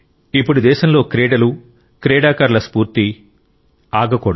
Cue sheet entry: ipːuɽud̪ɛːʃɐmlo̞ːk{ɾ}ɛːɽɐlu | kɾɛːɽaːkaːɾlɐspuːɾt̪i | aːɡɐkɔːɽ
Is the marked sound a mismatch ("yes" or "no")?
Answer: no